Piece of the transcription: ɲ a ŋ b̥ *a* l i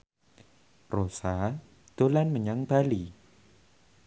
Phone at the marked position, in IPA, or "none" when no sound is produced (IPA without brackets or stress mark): a